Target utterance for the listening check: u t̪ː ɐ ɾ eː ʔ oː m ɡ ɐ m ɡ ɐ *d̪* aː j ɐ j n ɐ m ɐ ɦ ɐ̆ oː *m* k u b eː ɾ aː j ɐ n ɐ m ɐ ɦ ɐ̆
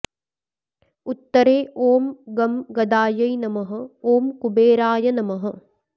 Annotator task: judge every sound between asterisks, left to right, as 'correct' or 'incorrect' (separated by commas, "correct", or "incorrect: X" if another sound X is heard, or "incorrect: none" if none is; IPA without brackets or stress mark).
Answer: correct, correct